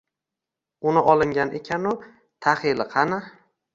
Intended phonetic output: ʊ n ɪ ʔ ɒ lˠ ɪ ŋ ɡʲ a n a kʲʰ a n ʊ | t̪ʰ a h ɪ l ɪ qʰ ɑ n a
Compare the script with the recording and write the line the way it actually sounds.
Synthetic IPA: ʊ n ɪ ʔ ɒ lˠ ɪ ŋ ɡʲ a n e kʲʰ a n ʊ | t̪ʰ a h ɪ l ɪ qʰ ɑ n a